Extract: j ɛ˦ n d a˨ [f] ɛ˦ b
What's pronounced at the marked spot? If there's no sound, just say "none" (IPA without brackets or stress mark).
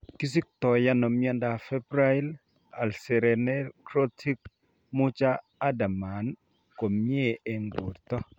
f